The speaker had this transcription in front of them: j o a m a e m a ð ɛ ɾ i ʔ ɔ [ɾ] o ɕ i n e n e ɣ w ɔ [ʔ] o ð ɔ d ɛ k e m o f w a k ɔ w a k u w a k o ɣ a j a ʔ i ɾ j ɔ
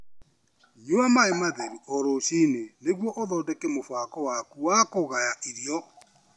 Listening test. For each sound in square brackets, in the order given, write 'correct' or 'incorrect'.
correct, correct

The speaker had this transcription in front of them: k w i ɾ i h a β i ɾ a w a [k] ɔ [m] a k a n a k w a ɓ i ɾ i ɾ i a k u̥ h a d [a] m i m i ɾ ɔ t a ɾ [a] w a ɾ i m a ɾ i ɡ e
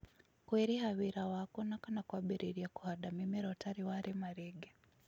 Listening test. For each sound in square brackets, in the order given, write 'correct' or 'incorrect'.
correct, incorrect: n, correct, incorrect: i

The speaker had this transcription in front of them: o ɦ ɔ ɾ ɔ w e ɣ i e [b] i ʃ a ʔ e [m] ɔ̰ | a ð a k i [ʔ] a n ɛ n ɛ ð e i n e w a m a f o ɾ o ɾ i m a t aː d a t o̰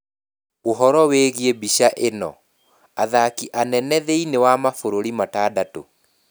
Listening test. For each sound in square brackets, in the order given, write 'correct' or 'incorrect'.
correct, incorrect: n, correct

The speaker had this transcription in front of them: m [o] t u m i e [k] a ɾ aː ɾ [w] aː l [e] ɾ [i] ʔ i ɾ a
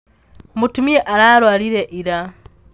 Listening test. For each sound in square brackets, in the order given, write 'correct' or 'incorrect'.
incorrect: u, incorrect: ʔ, correct, incorrect: i, incorrect: e

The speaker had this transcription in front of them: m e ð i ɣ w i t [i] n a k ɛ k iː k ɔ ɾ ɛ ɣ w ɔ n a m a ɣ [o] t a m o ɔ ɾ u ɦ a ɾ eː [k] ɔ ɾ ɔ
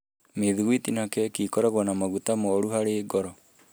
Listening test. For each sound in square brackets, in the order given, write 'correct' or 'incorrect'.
correct, incorrect: u, incorrect: ɡ

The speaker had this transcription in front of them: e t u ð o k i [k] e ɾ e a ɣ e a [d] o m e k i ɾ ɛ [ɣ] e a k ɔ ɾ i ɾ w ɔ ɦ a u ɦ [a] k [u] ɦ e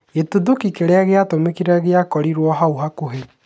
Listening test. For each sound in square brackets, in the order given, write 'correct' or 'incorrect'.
correct, incorrect: t, correct, correct, incorrect: o

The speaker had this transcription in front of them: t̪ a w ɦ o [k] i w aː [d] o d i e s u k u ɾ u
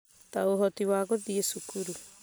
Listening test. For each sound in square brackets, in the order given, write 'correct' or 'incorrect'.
incorrect: t, incorrect: ɡ

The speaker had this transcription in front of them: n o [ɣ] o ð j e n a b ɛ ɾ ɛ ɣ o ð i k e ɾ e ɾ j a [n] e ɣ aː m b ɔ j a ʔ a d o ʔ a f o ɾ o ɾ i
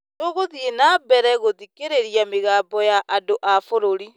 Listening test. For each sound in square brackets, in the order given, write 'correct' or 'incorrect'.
correct, incorrect: m

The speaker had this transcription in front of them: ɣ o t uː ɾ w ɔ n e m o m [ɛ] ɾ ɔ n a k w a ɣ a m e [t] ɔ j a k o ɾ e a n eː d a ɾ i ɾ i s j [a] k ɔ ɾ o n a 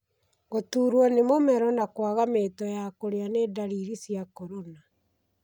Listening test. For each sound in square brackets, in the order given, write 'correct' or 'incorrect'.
correct, correct, correct

